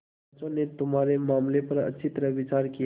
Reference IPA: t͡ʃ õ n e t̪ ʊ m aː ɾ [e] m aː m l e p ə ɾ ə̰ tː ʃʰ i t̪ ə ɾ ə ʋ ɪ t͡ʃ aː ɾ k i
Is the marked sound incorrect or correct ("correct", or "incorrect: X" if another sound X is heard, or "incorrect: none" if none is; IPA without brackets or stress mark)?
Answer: correct